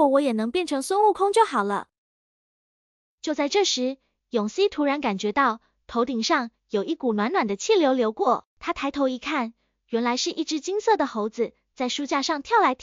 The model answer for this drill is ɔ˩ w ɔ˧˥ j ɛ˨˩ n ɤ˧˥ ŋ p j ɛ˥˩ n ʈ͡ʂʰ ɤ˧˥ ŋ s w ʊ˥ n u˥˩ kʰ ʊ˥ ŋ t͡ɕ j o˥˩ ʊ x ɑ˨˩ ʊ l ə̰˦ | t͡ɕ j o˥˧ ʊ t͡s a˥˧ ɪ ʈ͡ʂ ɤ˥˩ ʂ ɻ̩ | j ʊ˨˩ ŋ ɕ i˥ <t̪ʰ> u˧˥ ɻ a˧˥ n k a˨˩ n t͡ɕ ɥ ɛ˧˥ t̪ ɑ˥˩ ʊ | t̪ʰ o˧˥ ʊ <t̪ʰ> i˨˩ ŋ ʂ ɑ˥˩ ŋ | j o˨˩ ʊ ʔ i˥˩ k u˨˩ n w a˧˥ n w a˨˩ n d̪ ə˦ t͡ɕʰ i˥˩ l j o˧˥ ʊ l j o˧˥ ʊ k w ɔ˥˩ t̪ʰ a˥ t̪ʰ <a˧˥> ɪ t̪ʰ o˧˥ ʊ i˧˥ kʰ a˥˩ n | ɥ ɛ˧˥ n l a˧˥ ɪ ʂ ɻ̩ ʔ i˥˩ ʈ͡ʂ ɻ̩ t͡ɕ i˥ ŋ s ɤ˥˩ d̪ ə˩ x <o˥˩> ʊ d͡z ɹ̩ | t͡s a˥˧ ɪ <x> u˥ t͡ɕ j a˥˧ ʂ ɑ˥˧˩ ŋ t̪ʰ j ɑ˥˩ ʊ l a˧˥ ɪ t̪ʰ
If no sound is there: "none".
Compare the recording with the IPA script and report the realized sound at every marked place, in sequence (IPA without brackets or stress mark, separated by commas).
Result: t̪ʰ, t̪, a˧˥, o˧˥, ʂ